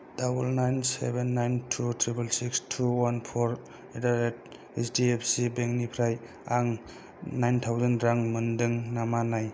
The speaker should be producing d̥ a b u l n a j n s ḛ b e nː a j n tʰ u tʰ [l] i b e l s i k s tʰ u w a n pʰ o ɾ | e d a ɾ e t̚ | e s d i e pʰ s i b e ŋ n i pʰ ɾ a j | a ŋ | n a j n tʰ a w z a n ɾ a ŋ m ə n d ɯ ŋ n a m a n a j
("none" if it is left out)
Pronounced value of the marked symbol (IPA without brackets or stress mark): ɾ